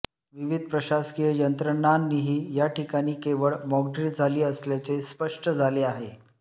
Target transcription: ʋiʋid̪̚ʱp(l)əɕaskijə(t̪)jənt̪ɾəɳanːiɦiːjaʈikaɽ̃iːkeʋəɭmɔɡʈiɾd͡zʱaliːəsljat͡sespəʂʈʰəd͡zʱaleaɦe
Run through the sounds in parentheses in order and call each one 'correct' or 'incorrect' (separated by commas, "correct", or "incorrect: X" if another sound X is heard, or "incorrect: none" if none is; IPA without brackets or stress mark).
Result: incorrect: ɾ, incorrect: none